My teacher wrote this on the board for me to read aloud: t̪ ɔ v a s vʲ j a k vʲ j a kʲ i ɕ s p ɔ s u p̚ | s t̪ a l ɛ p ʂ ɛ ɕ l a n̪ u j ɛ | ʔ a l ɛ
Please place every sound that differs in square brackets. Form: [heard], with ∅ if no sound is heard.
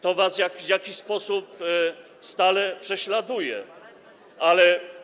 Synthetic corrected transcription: t̪ ɔ v a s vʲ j a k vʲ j a kʲ i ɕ s p ɔ s u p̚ | s t̪ a l ɛ p ʂ ɛ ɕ l a [d̪] u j ɛ | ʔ a l ɛ

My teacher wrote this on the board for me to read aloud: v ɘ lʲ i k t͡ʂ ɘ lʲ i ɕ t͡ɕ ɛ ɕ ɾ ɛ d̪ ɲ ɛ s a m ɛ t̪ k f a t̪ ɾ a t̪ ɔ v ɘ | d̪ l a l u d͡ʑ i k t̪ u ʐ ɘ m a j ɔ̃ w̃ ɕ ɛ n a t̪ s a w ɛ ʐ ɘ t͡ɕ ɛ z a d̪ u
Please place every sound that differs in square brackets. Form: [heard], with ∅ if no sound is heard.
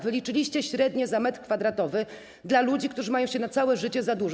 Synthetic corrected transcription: v ɘ lʲ i [∅] t͡ʂ ɘ lʲ i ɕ t͡ɕ ɛ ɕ ɾ ɛ d̪ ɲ ɛ [z] a m ɛ t̪ k f a [d̪] ɾ a t̪ ɔ v ɘ | d̪ l a l u d͡ʑ i k t̪ u ʐ ɘ m a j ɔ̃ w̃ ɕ ɛ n a t̪ s a w ɛ ʐ ɘ t͡ɕ ɛ z a d̪ u

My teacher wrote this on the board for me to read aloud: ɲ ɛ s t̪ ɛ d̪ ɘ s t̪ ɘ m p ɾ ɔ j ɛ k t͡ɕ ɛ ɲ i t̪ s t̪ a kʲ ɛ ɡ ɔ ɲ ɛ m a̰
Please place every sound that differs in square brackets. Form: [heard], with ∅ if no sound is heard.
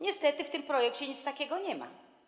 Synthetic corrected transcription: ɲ ɛ s t̪ ɛ [t̪] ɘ [f] t̪ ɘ m p ɾ ɔ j ɛ k t͡ɕ ɛ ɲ i t̪ s t̪ a kʲ ɛ ɡ ɔ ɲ ɛ m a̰

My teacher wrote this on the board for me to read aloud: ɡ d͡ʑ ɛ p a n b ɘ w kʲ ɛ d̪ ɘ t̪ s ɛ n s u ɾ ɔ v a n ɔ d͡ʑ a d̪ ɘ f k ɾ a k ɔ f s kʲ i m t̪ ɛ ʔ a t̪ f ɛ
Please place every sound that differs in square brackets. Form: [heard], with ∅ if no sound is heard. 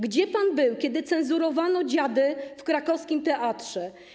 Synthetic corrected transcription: ɡ d͡ʑ ɛ p a n b ɘ w kʲ ɛ d̪ ɘ t̪ s ɛ n [z] u ɾ ɔ v a n ɔ d͡ʑ a d̪ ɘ f k ɾ a k ɔ f s kʲ i m t̪ ɛ ʔ a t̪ [ʂ] ɛ

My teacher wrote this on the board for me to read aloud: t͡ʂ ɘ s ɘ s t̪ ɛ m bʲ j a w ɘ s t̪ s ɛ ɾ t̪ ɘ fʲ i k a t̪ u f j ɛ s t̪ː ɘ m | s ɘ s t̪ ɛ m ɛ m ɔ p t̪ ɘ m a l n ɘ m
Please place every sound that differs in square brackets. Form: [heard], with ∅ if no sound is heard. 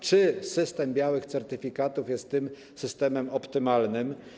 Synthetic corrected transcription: t͡ʂ ɘ s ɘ s t̪ ɛ m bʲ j a w ɘ [x] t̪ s ɛ ɾ t̪ ɘ fʲ i k a t̪ u f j ɛ s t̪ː ɘ m | s ɘ s t̪ ɛ m ɛ m ɔ p t̪ ɘ m a l n ɘ m

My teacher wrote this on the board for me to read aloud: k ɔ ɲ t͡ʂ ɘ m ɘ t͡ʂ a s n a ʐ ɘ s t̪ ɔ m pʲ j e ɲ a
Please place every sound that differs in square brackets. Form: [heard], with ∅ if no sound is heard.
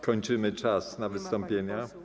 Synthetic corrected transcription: k ɔ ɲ t͡ʂ ɘ m ɘ t͡ʂ a s n a [v] ɘ s t̪ ɔ m pʲ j e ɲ a

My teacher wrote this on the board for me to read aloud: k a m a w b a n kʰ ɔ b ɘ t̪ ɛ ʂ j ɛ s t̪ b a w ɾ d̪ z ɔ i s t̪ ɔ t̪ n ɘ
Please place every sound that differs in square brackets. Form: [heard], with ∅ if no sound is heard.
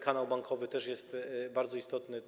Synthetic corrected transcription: k a [n] a w b a [ŋ] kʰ ɔ [v] ɘ t̪ ɛ ʂ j ɛ s t̪ b a [∅] ɾ d̪ z ɔ i s t̪ ɔ t̪ n ɘ

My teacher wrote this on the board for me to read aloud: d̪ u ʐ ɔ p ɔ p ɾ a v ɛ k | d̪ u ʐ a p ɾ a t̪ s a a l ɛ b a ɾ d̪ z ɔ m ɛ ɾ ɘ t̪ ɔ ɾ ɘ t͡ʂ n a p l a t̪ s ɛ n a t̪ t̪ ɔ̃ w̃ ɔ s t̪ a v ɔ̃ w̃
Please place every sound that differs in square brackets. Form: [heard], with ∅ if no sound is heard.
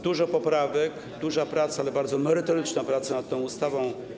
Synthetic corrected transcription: d̪ u ʐ ɔ p ɔ p ɾ a v ɛ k | d̪ u ʐ a p ɾ a t̪ s a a l ɛ b a ɾ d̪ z ɔ m ɛ ɾ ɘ t̪ ɔ ɾ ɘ t͡ʂ n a p [ɾ] a t̪ s [a] n a t̪ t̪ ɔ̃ w̃ [u] s t̪ a v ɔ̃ w̃

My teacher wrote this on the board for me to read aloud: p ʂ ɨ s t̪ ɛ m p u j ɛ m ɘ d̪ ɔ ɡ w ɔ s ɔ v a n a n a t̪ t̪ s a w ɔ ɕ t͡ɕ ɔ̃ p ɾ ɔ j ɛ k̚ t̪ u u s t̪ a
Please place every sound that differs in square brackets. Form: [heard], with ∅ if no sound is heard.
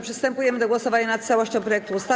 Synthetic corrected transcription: p ʂ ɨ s t̪ ɛ m p u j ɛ m ɘ d̪ ɔ ɡ w ɔ s ɔ v a [ɲ] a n a t̪ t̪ s a w ɔ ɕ t͡ɕ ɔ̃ p ɾ ɔ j ɛ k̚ t̪ u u s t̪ a

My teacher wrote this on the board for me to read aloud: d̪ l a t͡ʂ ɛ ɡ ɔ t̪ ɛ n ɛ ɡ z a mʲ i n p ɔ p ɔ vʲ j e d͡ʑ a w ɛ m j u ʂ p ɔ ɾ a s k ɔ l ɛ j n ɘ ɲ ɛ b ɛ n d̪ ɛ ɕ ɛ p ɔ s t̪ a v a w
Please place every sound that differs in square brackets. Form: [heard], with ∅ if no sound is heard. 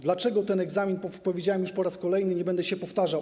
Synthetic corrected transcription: d̪ l a t͡ʂ ɛ ɡ ɔ t̪ ɛ n ɛ ɡ z a mʲ i n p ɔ p ɔ vʲ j e d͡ʑ a w ɛ m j u ʂ p ɔ ɾ a s k ɔ l ɛ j n ɘ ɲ ɛ b ɛ n d̪ ɛ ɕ ɛ p ɔ [f] t̪ a [ʐ] a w

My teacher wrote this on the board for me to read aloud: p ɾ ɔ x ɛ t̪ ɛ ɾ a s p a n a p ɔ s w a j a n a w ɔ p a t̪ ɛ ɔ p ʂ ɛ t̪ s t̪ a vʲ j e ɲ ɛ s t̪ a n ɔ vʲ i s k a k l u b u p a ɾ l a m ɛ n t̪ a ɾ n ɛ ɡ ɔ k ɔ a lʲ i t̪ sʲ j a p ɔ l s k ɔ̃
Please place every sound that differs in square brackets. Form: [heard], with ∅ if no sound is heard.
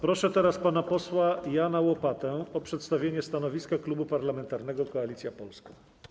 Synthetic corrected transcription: p ɾ ɔ [ʂ] ɛ t̪ ɛ ɾ a s p a n a p ɔ s w a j a n a w ɔ p a t̪ ɛ ɔ p ʂ ɛ t̪ s t̪ a vʲ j e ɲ ɛ s t̪ a n ɔ vʲ i s k a k l u b u p a ɾ l a m ɛ n t̪ a ɾ n ɛ ɡ ɔ k ɔ a lʲ i t̪ sʲ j a p ɔ l s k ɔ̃

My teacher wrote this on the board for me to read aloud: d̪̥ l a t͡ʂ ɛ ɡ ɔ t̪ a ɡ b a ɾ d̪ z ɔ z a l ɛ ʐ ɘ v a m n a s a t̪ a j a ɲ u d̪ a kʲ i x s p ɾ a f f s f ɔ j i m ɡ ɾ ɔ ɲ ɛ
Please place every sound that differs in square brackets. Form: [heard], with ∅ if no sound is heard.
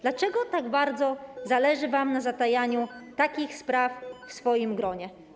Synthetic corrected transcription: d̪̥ l a t͡ʂ ɛ ɡ ɔ t̪ a ɡ b a ɾ d̪ z ɔ z a l ɛ ʐ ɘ v a m n a [z] a t̪ a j a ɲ u [t̪] a kʲ i x s p ɾ a f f s f ɔ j i m ɡ ɾ ɔ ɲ ɛ

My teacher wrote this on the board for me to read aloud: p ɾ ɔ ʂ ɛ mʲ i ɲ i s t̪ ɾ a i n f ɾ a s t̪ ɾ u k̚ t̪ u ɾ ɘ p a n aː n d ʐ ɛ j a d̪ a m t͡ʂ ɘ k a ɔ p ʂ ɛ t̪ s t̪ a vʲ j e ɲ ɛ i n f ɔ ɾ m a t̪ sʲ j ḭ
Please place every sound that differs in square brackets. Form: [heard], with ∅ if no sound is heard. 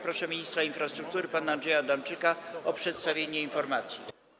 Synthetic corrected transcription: p ɾ ɔ ʂ ɛ mʲ i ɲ i s t̪ ɾ a i n f ɾ a s t̪ ɾ u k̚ t̪ u ɾ ɘ p a n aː n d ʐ ɛ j a d̪ a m t͡ʂ ɘ k a ɔ p ʂ ɛ t̪ s t̪ a vʲ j e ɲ ɛ i n f ɔ ɾ m a t̪ sʲ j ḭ

